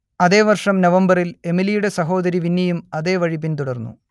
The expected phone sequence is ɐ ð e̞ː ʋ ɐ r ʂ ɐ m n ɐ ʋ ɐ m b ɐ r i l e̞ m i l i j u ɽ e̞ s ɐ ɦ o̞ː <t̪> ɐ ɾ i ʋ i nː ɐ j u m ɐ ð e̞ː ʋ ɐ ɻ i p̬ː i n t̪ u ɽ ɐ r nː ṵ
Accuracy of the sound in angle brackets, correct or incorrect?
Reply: incorrect